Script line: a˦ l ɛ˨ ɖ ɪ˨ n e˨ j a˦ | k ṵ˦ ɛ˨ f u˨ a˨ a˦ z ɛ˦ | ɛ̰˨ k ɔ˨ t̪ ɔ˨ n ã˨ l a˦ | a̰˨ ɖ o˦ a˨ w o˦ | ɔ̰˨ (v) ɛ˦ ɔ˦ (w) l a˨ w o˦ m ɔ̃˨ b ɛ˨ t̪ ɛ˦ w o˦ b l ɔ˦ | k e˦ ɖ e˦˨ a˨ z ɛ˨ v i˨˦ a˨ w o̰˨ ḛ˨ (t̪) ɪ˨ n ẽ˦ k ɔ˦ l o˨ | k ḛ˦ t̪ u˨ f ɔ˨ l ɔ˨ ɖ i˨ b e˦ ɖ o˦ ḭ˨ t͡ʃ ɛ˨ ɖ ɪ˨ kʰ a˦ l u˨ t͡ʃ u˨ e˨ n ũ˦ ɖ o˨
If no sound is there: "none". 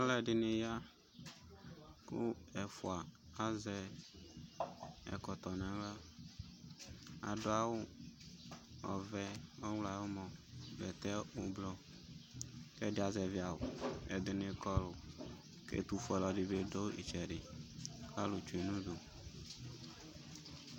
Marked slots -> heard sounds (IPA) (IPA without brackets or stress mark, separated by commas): v, w, d̪